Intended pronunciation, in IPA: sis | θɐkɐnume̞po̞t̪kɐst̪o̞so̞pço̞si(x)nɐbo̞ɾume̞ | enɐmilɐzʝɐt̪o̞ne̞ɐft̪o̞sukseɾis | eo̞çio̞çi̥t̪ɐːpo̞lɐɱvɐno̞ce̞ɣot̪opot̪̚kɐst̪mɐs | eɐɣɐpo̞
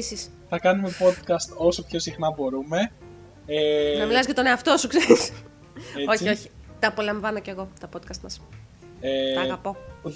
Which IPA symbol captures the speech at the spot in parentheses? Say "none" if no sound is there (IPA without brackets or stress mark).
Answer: x